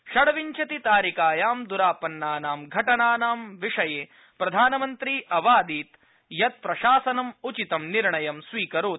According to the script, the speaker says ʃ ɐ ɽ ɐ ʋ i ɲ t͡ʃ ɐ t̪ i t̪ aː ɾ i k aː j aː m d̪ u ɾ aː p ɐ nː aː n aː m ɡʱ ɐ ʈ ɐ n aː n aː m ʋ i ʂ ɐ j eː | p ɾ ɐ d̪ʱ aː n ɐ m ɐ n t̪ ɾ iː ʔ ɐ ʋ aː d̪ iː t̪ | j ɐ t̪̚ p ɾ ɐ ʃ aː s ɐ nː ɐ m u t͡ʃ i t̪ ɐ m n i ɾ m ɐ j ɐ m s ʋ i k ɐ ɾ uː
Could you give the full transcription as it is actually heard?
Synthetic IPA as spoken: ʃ ɐ ɽ ɐ ʋ i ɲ t͡ʃ ɐ t̪ i t̪ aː ɾ i k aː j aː m d̪ u ɾ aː p ɐ nː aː n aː m ɡʱ ɐ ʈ ɐ n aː n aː m ʋ i ʂ ɐ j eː | p ɾ ɐ d̪ʱ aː n ɐ m ɐ n t̪ ɾ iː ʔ ɐ ʋ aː d̪ iː t̪ | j ɐ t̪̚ p ɾ ɐ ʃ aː s ɐ n ɐ m u t͡ʃ i t̪ ɐ m n i ɾ ɳ ɐ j ɐ m s ʋ iː k ɐ ɾ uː